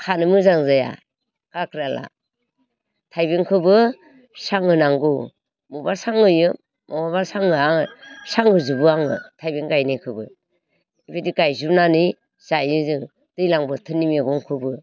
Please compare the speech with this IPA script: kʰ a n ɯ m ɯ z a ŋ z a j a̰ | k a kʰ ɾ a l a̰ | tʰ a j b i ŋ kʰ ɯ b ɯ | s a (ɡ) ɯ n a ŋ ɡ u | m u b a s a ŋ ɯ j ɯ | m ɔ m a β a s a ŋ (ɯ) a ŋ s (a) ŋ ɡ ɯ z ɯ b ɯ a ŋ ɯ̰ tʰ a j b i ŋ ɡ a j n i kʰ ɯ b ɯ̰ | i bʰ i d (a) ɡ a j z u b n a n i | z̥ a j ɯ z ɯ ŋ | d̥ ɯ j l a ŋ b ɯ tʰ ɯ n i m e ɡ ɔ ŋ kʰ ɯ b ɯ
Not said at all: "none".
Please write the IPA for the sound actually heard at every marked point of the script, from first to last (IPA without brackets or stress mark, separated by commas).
ŋ, ɯ, a, i